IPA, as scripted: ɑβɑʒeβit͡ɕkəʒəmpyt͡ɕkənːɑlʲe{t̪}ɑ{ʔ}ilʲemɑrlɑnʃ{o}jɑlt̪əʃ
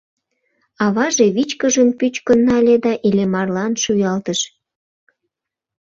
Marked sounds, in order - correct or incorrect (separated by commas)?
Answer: incorrect, correct, incorrect